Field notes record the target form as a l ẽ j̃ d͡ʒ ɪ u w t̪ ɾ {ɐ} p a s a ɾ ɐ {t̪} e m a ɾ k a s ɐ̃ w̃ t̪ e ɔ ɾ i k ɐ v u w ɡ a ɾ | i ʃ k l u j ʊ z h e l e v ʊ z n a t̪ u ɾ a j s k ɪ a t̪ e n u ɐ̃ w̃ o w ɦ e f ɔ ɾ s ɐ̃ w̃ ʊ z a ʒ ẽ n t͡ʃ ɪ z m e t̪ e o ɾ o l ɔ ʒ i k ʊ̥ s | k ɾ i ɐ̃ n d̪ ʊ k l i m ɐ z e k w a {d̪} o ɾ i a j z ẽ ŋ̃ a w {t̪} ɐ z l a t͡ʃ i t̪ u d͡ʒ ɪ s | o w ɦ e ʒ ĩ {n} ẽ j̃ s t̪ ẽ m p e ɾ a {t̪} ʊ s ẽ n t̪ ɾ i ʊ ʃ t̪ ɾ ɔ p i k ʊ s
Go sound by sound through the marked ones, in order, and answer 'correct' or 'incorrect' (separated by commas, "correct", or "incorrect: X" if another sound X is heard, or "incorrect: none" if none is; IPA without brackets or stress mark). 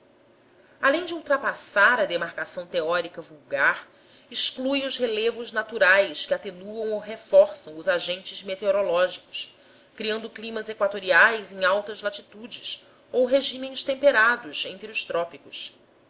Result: incorrect: a, incorrect: d̪, incorrect: t̪, correct, incorrect: m, incorrect: d̪